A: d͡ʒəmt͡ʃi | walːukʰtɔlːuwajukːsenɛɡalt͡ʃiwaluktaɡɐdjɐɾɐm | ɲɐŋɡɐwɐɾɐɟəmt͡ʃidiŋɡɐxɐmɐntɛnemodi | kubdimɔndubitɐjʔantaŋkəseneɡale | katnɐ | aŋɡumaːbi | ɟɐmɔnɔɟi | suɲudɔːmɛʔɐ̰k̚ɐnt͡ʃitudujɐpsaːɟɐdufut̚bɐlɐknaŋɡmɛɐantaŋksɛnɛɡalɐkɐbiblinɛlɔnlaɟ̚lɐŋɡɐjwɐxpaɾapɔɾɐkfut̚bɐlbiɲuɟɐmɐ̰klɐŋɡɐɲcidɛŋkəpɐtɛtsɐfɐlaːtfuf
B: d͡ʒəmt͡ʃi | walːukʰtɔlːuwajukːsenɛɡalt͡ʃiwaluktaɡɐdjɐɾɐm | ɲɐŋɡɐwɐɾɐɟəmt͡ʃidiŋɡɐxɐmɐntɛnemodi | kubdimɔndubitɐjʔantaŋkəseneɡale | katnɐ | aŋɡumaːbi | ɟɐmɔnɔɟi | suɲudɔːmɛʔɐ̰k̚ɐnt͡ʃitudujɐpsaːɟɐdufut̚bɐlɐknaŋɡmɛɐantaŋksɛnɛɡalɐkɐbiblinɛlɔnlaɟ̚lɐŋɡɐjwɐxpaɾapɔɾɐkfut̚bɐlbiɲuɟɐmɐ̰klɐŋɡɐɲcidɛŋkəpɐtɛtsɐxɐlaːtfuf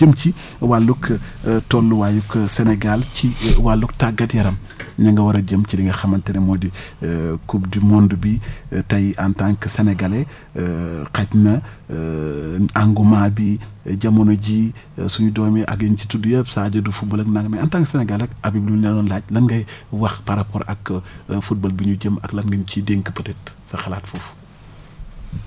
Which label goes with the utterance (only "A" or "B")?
B